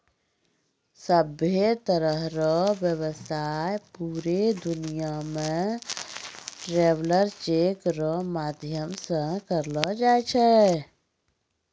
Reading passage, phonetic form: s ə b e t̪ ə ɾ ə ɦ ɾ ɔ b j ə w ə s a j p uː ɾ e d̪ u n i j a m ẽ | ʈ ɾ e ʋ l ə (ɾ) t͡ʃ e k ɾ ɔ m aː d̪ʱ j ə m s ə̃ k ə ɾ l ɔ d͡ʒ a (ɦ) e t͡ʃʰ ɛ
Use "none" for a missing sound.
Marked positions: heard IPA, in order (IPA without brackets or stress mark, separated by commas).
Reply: ɾ, none